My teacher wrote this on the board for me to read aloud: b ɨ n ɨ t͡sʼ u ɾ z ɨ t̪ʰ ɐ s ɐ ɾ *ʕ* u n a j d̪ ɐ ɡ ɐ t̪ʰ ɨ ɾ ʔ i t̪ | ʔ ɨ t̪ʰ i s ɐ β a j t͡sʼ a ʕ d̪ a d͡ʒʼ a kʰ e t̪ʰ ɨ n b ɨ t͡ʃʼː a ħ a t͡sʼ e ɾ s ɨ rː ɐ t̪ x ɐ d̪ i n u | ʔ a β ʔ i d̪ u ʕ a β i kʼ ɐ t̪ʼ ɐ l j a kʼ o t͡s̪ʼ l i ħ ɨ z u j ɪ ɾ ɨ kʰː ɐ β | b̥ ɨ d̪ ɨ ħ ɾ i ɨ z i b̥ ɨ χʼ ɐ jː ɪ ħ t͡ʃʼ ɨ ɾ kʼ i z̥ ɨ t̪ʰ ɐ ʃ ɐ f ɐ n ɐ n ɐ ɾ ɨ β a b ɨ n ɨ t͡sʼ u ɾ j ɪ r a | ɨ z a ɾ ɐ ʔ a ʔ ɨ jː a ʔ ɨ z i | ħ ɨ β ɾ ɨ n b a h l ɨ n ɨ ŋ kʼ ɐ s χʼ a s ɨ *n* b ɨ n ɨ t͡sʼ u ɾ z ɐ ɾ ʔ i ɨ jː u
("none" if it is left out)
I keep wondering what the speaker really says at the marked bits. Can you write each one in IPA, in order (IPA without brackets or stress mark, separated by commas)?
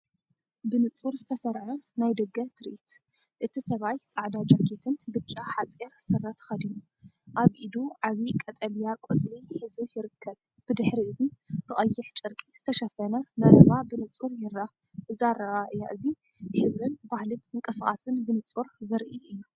ʕ, n